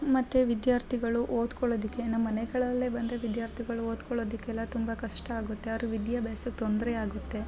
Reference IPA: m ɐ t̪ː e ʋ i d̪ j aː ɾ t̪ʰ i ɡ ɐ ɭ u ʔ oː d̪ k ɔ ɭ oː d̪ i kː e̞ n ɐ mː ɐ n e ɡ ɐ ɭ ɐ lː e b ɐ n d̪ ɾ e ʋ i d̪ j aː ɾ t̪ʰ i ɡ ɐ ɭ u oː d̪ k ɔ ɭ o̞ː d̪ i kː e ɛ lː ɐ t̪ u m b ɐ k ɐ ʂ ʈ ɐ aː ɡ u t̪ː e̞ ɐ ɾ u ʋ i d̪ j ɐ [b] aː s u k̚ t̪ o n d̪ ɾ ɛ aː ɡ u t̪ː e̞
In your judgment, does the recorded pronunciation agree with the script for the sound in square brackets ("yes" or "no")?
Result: yes